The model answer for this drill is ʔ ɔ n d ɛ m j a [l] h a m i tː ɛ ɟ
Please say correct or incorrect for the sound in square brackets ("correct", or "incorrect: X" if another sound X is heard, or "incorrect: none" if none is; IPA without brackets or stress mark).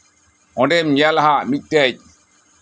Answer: correct